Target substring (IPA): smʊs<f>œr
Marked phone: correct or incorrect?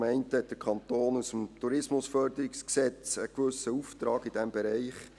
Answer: correct